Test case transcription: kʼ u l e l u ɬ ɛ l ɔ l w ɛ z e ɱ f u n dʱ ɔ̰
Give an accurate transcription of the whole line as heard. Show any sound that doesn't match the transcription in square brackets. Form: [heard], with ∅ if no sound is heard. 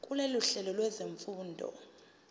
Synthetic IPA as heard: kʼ u l e l u ɬ ɛ l ɔ l w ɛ z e ɱ f [uː] n dʱ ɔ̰

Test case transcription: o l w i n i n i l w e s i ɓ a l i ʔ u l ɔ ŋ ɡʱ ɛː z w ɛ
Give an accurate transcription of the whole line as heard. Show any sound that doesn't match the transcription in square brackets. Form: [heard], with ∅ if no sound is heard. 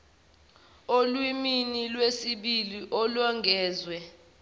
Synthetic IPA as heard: o l w i [m] i n i l w e s i ɓ [i] l i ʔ [ɔ] l ɔ ŋ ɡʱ ɛː z w ɛ

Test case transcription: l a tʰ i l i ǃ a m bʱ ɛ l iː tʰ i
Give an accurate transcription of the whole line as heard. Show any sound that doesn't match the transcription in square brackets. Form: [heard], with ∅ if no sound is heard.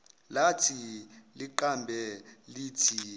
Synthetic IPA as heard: l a tʰ i l i ǃ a m bʱ ɛ l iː tʰ i

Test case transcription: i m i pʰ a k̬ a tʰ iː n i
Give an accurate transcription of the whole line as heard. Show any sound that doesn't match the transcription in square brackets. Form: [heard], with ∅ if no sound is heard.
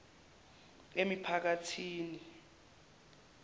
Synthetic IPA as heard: [e] m i pʰ a k̬ a tʰ iː n i

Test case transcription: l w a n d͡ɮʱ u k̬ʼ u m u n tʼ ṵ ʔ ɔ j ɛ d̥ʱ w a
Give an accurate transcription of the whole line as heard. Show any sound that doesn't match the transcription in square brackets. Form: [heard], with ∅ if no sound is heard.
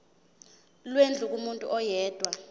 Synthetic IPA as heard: l w [e] n d͡ɮʱ u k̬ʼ u m u n tʼ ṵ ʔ ɔ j [ɛː] d̥ʱ w a

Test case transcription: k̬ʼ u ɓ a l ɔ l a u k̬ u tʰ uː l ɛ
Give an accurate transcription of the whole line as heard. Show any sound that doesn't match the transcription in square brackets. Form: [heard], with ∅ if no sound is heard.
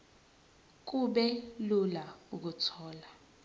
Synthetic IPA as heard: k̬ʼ u ɓ [ɛ] l [u] l a u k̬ u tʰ [ɔː] l [a]

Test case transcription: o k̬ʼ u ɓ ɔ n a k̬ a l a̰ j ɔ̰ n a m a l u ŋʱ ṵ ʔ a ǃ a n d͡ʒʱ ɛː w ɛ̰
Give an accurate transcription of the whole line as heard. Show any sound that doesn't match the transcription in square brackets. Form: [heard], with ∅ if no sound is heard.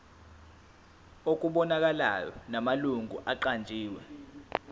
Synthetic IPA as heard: o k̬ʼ u ɓ ɔ n a k̬ a l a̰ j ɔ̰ n a m a l u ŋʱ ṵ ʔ a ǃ a n d͡ʒʱ [iː] w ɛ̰

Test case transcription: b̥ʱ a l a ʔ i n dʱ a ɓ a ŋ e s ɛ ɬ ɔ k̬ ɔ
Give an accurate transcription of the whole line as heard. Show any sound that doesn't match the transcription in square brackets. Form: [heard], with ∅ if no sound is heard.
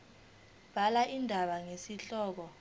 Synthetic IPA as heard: b̥ʱ a l a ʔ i n dʱ a ɓ a ŋ e s [i] ɬ [ɔː] k̬ ɔ

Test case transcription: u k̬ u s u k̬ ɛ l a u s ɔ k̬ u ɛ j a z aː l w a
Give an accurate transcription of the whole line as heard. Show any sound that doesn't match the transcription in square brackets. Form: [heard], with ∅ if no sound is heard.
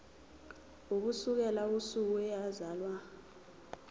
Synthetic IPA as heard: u k̬ u s u k̬ ɛ l a u s [u] k̬ u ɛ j a z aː l w a

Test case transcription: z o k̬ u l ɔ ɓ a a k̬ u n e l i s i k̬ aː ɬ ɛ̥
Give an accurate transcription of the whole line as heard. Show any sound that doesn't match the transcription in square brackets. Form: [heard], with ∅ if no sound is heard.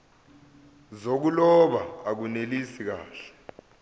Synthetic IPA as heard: z o k̬ u l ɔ ɓ a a k̬ u n e l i s i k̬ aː ɬ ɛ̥

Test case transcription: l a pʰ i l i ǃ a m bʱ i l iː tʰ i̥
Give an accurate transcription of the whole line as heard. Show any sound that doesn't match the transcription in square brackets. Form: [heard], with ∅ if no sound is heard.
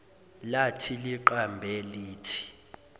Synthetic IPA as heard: l a [tʰ] i l i ǃ a m bʱ [ɛ] l iː tʰ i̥

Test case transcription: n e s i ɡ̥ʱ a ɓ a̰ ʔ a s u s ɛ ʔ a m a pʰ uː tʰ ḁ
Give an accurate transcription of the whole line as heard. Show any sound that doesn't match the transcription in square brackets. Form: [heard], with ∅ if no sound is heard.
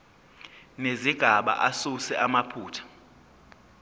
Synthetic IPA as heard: n e [z] i ɡ̥ʱ a ɓ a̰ ʔ a s u s ɛ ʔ a m a pʰ uː tʰ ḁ

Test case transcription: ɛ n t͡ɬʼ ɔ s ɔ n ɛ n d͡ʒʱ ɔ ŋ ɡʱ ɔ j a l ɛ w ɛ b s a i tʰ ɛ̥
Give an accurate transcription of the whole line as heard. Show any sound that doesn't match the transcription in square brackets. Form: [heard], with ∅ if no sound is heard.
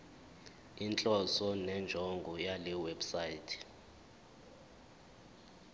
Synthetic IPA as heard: [i] n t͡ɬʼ ɔ s ɔ n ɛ n d͡ʒʱ ɔ ŋ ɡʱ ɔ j a l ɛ w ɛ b s a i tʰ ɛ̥

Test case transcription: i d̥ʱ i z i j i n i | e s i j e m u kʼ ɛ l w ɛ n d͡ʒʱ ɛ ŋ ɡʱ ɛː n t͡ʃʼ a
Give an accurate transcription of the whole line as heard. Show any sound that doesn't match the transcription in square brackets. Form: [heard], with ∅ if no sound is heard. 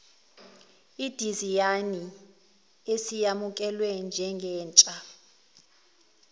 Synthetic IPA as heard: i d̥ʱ i z i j [a] n i | e s i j [a] m u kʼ ɛ l w ɛ n d͡ʒʱ ɛ ŋ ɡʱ ɛː n t͡ʃʼ a

